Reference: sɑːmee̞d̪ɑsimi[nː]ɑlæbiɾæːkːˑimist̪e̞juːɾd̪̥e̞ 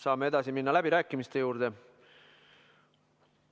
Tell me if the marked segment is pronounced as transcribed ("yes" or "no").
yes